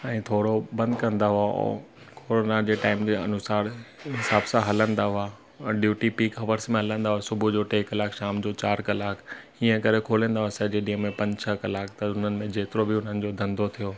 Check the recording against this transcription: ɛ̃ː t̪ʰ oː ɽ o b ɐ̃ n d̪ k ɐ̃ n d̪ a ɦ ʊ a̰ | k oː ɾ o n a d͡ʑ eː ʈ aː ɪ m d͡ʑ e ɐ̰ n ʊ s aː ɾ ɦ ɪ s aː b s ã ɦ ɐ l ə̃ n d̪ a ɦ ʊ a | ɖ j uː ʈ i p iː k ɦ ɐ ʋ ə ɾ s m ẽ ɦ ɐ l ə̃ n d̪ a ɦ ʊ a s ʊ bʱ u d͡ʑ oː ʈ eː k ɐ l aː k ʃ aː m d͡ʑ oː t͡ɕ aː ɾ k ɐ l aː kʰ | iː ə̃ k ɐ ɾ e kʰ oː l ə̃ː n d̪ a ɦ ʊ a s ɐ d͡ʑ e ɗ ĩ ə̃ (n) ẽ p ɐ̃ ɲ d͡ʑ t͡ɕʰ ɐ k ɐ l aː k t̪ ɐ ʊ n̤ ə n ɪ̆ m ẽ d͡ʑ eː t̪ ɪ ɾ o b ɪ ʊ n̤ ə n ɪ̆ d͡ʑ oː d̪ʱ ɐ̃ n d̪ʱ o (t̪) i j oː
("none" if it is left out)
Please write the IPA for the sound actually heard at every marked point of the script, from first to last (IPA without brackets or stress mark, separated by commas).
m, t̪ʰ